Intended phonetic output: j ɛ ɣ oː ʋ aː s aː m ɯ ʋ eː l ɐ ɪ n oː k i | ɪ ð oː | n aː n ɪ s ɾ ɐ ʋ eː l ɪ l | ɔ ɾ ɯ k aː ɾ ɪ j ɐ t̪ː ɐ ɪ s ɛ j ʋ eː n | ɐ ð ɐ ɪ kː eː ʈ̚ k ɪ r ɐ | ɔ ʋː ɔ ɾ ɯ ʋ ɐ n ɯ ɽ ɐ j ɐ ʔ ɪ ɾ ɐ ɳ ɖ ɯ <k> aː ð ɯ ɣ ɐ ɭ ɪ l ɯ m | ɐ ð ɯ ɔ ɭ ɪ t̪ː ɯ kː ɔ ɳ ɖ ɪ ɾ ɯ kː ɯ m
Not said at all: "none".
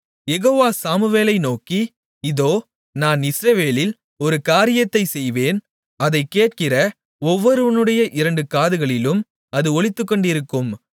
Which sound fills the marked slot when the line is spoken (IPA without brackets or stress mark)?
k